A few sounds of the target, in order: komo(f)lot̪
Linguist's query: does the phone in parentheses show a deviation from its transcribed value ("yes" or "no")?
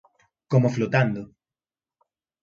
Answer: no